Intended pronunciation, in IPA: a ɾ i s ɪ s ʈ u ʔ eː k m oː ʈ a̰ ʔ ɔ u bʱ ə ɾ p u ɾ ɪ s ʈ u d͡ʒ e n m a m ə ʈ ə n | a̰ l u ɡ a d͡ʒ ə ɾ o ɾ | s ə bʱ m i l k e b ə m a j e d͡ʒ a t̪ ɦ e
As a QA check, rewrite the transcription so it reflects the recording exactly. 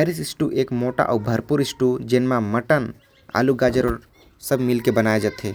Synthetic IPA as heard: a ɾ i s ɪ s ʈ u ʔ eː k m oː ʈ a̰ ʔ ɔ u bʱ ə ɾ p u ɾ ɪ s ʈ u d͡ʒ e n m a m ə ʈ ə n | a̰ l u ɡ a d͡ʒ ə ɾ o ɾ | s ə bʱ m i l k e b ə n a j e d͡ʒ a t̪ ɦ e